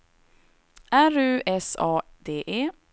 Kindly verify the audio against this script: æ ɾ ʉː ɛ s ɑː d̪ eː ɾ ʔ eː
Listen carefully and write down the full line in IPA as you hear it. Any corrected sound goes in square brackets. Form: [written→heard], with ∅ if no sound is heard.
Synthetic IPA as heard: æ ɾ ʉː ɛ s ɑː d̪ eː [ɾ→∅] ʔ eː

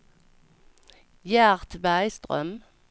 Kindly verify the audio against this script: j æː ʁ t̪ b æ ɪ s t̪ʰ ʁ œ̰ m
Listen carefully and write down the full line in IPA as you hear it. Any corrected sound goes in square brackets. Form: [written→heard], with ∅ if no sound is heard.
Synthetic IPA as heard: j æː ʁ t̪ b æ ɪ s [t̪ʰ→t̪] ʁ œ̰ m

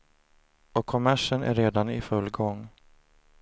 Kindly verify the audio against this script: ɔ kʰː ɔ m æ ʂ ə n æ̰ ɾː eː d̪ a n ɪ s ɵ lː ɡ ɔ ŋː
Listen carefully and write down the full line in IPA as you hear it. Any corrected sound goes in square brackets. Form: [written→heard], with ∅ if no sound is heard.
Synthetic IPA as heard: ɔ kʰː ɔ m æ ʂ ə n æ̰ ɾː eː d̪ a n ɪ [s→f] ɵ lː ɡ ɔ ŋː

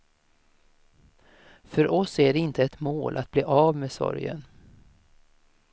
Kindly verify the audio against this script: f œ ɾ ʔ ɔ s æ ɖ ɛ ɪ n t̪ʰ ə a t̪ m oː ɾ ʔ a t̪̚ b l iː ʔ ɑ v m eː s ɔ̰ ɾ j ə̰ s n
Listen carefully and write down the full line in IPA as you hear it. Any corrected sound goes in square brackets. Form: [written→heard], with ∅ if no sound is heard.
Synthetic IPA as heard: f œ ɾ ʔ ɔ s æ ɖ ɛ ɪ n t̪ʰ ə [a→ɛ] t̪ m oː [ɾ→l] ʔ a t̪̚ b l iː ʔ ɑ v m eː s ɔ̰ ɾ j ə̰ [s→∅] n

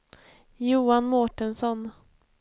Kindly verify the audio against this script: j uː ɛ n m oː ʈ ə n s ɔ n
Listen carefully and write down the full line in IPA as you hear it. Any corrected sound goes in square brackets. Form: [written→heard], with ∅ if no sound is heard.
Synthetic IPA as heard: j uː [ɛ→a] n m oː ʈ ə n s ɔ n

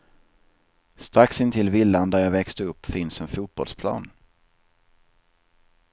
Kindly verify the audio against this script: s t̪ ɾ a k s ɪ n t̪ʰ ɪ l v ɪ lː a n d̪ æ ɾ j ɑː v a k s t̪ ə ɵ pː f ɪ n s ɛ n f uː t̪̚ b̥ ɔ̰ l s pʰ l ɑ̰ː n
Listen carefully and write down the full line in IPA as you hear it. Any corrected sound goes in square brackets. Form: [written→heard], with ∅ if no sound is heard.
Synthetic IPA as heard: s t̪ ɾ a k s ɪ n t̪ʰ ɪ l v ɪ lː a n d̪ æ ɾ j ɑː v [a→ɛ] k s t̪ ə ɵ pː f ɪ n s ɛ n f uː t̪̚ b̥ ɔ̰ l s pʰ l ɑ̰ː n

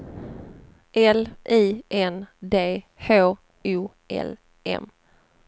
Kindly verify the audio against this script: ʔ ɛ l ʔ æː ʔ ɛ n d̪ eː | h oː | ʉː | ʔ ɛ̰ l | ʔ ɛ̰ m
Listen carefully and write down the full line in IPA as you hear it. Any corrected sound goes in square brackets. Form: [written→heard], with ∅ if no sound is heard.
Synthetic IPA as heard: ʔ ɛ l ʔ [æː→iː] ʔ ɛ n d̪ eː | h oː | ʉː | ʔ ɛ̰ l | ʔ ɛ̰ m

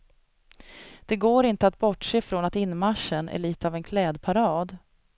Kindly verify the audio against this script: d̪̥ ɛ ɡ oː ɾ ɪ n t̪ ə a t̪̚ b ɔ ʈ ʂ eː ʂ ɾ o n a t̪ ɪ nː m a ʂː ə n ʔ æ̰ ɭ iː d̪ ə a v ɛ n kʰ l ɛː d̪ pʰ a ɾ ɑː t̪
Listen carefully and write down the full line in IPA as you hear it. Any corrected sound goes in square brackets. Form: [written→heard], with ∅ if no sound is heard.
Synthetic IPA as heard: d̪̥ ɛ ɡ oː ɾ ɪ n t̪ ə a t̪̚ b ɔ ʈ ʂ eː [ʂ→f] ɾ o n a t̪ ɪ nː m a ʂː ə n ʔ æ̰ ɭ iː [d̪→t̪] ə a v ɛ n kʰ l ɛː d̪ pʰ a ɾ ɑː [t̪→d̪]

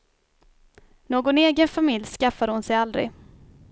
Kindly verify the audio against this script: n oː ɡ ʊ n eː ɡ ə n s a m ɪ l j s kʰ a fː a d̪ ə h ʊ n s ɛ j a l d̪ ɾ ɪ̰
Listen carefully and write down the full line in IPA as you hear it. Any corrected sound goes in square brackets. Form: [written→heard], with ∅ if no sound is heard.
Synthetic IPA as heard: n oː ɡ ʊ n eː ɡ ə n [s→f] a m ɪ l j s [kʰ→k] a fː a d̪ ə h ʊ n s ɛ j a l d̪ ɾ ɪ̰

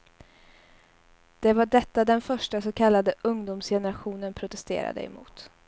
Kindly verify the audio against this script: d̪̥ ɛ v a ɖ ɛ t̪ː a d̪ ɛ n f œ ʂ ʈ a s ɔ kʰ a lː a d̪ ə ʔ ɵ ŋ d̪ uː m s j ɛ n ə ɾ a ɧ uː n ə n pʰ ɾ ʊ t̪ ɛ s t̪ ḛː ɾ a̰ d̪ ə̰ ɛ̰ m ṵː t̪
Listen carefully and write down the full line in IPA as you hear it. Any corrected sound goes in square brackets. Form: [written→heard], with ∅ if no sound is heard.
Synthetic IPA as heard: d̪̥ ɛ v a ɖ ɛ t̪ː a d̪ ɛ n f œ ʂ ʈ a s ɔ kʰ a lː a d̪ ə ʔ ɵ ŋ d̪ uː m s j ɛ n ə ɾ a ɧ uː n ə n pʰ ɾ ʊ t̪ ɛ s t̪ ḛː ɾ a̰ d̪ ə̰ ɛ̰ m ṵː t̪

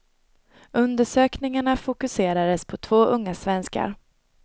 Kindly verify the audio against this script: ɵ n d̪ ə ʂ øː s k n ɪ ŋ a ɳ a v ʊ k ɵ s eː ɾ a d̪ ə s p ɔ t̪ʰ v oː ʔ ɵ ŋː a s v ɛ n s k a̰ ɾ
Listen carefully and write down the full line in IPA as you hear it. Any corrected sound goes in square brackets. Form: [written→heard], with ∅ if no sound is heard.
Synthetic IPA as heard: ɵ n d̪ ə ʂ øː [s→∅] k n ɪ ŋ a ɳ a [v→f] ʊ k ɵ s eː ɾ a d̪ ə s [p→pʰ] ɔ t̪ʰ v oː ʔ ɵ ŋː a s v ɛ n s k a̰ ɾ

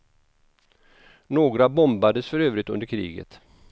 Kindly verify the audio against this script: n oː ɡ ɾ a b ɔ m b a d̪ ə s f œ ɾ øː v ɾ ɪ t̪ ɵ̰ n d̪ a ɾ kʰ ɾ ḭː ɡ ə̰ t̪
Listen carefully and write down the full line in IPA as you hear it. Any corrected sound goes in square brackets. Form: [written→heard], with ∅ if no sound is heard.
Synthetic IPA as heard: n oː ɡ ɾ a b ɔ m b a d̪ ə s f œ ɾ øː v ɾ ɪ t̪ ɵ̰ n d̪ [a→ə] ɾ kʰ ɾ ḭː ɡ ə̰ t̪

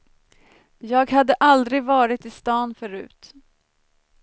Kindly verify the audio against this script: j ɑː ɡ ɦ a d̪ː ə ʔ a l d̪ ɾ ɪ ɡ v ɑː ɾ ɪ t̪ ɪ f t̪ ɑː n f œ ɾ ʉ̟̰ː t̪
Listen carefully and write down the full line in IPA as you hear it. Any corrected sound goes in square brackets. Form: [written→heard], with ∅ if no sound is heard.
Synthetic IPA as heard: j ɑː ɡ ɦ a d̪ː ə ʔ a l d̪ ɾ ɪ ɡ v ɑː ɾ ɪ t̪ ɪ [f→s] t̪ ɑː n f œ ɾ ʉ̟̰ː t̪

